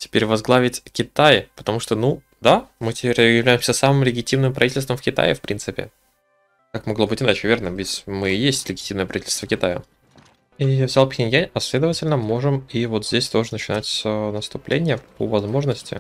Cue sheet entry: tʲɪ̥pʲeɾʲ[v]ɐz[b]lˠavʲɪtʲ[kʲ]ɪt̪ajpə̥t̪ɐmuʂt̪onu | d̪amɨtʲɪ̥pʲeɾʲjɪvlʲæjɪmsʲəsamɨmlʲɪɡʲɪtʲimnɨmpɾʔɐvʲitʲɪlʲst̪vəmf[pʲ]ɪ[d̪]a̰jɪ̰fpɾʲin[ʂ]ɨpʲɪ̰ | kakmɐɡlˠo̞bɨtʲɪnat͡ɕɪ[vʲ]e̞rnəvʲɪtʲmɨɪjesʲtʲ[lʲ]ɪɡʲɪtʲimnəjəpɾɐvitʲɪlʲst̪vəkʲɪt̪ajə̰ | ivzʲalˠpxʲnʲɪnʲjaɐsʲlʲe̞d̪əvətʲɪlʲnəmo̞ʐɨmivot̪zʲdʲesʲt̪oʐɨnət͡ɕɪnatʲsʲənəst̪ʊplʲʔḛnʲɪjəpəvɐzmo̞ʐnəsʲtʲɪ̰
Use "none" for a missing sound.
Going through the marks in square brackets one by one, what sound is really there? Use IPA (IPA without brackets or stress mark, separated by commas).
v, ɡ, kʲ, kʲ, t̪, s, vʲ, lʲ